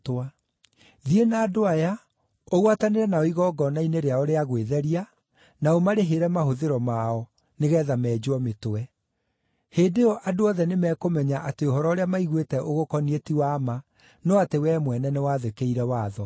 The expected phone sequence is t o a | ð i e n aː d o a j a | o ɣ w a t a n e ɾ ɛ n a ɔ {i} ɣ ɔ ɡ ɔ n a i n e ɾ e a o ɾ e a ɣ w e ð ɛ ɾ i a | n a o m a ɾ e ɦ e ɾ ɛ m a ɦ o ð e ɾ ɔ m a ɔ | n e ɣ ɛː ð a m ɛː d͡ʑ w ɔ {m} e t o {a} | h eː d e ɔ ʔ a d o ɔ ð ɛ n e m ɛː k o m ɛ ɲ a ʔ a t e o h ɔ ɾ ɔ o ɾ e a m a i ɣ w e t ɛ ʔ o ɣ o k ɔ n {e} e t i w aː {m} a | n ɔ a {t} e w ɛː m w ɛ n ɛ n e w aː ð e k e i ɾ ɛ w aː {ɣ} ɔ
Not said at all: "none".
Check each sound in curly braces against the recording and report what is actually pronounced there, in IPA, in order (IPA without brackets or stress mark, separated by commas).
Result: i, m, ɛ, i, m, t, ð